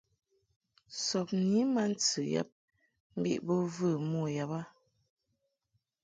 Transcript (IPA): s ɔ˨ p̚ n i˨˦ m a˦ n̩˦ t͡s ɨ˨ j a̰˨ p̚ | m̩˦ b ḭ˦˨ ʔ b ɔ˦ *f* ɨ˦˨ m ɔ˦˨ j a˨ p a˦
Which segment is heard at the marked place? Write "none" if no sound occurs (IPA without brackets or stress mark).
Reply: v